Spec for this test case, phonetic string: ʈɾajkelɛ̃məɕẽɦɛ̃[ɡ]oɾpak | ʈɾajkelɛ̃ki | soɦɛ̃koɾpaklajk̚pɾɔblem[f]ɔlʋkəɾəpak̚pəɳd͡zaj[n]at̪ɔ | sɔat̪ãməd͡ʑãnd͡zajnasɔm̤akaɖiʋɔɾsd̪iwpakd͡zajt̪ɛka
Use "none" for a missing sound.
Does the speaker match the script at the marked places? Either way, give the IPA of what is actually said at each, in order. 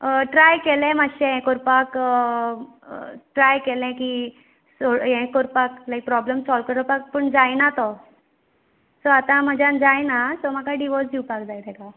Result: k, s, n

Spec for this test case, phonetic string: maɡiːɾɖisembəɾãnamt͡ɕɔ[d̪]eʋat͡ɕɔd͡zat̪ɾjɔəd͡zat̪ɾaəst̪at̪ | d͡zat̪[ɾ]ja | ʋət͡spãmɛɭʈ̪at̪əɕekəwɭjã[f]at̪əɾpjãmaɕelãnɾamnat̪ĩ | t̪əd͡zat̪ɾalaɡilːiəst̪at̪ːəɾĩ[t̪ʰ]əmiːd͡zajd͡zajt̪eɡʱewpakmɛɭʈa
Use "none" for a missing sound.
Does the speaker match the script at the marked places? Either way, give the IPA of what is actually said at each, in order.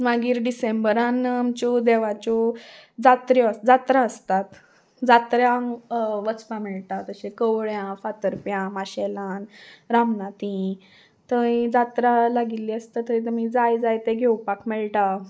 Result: d̪, ɾ, f, t̪

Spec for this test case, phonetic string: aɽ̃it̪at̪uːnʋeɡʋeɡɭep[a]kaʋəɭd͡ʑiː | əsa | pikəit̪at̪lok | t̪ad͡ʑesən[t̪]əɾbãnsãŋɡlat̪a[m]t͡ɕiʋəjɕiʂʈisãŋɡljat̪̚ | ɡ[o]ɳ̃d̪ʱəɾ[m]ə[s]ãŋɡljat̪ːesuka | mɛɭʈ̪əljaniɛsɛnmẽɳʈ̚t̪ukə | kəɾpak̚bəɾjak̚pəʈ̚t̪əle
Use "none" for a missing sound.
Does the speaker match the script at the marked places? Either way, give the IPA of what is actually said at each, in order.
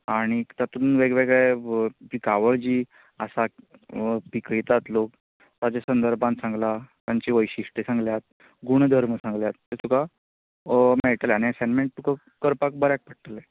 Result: i, d̪, ɲ, u, m, s

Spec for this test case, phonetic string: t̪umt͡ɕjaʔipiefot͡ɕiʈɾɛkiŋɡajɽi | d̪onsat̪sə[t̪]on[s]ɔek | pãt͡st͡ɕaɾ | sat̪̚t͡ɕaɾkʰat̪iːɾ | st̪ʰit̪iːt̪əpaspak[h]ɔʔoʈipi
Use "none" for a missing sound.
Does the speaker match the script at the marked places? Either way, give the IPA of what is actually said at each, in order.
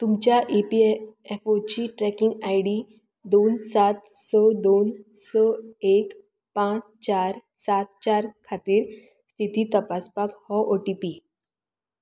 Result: d̪, s, h

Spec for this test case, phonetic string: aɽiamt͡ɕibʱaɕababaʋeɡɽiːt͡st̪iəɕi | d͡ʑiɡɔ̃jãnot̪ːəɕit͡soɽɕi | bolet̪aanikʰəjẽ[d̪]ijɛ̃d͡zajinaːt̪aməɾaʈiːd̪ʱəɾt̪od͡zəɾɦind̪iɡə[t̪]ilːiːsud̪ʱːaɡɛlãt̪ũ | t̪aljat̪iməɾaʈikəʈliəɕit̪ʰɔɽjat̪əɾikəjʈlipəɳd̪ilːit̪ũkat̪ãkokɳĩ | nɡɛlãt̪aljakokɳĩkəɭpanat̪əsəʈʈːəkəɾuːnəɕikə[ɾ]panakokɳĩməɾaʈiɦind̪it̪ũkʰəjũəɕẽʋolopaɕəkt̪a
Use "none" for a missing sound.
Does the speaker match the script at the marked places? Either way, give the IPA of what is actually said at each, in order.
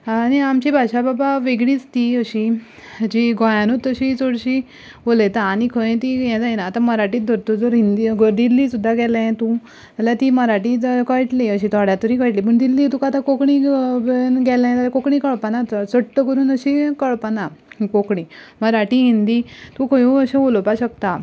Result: t̪, d̪, ɭ

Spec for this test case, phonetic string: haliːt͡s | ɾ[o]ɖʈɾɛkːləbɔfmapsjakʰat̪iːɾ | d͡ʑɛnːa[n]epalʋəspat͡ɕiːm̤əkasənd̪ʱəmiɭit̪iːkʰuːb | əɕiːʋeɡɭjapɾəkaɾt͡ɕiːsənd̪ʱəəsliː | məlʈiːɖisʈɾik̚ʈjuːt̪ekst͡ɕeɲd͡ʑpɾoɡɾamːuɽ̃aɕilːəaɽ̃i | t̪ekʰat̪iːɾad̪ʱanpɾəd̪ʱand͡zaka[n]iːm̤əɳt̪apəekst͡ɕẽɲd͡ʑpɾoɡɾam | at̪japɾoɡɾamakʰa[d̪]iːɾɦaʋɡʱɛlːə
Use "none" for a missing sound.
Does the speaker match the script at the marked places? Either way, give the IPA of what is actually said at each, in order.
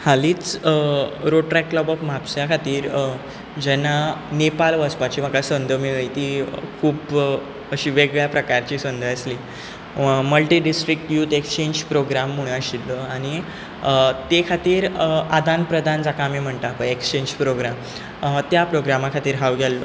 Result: o, n, m, t̪

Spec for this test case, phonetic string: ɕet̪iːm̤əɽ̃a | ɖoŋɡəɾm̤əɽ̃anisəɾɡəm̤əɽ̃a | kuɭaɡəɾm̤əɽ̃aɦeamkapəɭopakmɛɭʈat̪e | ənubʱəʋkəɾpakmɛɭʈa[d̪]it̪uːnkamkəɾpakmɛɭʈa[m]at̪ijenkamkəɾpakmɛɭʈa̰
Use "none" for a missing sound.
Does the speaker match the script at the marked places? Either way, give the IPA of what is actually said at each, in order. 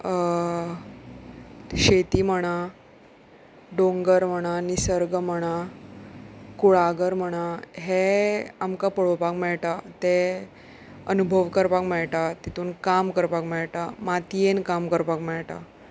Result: t̪, m

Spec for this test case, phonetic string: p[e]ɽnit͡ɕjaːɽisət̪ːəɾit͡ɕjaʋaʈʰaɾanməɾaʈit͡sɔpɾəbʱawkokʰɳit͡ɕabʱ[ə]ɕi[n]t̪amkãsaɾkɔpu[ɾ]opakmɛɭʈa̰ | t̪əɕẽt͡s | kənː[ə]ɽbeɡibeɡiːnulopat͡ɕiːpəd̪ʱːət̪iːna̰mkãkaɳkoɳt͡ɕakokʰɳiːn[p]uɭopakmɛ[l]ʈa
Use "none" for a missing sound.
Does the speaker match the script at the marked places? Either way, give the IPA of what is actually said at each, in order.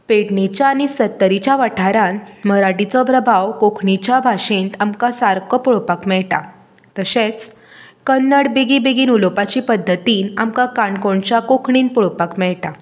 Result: e, a, n, ɭ, ə, p, ɭ

